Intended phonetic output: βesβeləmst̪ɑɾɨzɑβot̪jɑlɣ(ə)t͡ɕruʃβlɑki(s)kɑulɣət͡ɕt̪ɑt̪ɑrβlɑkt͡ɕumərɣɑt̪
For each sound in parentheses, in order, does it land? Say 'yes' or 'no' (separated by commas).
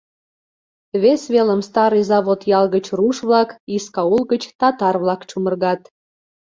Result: yes, yes